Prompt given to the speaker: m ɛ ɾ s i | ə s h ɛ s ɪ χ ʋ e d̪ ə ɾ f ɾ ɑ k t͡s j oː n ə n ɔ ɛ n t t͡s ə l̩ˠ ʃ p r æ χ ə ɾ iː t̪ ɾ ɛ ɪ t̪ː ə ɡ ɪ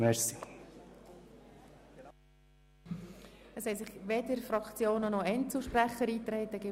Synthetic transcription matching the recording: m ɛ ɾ s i | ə s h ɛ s ɪ χ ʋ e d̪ ə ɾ f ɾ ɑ k t͡s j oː n ə n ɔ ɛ n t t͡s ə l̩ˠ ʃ p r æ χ ə ɾ iː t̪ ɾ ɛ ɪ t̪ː ə ɡ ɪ